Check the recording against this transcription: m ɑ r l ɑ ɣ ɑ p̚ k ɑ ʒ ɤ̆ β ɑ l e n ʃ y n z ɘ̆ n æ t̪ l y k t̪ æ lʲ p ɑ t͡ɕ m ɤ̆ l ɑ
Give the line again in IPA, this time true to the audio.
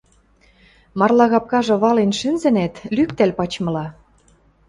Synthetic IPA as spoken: m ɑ r l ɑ ɣ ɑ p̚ k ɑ ʒ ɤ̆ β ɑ l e n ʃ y n z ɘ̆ n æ t̪ l y k t̪ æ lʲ p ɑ t͡ɕ m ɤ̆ l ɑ